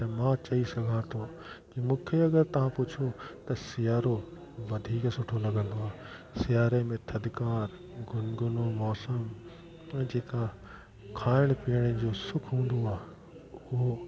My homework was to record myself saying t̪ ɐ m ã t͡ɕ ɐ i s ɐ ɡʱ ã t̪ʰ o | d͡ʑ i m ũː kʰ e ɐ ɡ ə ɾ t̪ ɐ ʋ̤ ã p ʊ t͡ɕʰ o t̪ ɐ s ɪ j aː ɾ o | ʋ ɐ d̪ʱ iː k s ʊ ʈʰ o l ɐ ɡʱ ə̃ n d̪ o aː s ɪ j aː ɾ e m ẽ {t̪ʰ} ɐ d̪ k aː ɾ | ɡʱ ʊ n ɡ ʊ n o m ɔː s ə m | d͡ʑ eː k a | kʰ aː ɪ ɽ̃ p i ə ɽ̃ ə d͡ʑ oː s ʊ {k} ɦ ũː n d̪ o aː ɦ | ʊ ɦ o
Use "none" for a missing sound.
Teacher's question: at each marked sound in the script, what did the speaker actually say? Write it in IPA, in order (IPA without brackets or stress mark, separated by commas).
t̪ʰ, kʰ